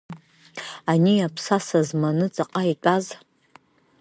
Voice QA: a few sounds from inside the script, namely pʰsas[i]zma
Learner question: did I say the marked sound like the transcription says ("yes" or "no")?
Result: no